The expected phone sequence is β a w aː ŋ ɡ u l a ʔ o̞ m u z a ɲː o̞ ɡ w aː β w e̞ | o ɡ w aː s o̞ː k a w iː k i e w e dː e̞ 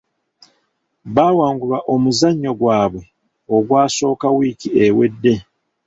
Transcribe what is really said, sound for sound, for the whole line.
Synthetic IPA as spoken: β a w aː ŋ ɡ u l a ʔ o̞ m u z a ɲː o̞ ɡ w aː β w e̞ | o ɡ w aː s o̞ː k a w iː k i e w e dː e̞